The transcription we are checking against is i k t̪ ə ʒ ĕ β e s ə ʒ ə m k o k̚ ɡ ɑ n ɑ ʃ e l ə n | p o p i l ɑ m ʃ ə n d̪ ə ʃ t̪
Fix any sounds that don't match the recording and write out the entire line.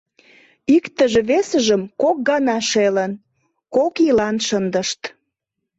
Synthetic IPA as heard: i k t̪ ə ʒ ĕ β e s ə ʒ ə m k o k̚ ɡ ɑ n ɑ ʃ e l ə n | k o k i l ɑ n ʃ ə n d̪ ə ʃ t̪

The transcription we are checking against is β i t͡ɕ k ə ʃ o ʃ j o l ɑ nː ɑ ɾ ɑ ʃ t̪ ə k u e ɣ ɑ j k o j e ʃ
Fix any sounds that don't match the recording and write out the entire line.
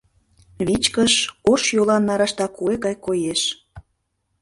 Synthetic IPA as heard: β i t͡ɕ k ə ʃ o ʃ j o l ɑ nː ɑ ɾ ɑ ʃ t̪ ɑ k u e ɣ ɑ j k o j e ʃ

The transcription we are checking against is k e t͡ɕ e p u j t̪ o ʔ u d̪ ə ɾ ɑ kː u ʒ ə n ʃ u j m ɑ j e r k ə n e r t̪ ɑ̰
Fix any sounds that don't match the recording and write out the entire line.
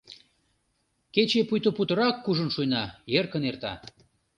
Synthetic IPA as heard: k e t͡ɕ e p u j t̪ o p u t̪ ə ɾ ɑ kː u ʒ ə n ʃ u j n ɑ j e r k ə n e r t̪ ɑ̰

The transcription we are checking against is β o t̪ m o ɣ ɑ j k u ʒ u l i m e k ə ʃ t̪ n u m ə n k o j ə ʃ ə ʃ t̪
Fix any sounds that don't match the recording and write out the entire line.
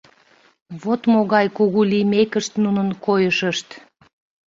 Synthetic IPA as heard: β o t̪ m o ɣ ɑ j k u ɣ u l i m e k ə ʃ t̪ n u n ə n k o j ə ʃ ə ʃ t̪

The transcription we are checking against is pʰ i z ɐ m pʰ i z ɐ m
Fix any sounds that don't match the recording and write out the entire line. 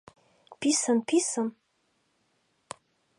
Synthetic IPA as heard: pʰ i s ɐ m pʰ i s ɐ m

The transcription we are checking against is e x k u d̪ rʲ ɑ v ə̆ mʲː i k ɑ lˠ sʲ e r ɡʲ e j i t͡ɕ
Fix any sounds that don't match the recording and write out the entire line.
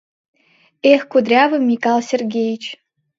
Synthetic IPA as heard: e x k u d̪ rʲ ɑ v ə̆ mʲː i k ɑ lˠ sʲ e r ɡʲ e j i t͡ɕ

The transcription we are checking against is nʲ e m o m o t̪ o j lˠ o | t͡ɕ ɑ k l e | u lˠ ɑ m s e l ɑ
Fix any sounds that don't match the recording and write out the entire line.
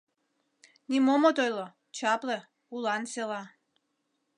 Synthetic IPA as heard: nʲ i m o m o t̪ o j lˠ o | t͡ɕ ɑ p l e | u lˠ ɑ n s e l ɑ

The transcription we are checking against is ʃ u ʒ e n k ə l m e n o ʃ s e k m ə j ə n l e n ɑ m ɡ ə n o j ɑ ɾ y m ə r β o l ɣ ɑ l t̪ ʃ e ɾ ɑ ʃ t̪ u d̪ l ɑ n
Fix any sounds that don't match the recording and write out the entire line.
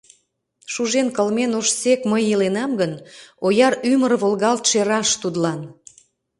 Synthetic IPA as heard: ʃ u ʒ e n k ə l m e n o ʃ s e k m ə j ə l e n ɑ m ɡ ə n o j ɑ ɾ y m ə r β o l ɣ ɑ l t̪ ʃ e ɾ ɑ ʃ t̪ u d̪ l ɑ n

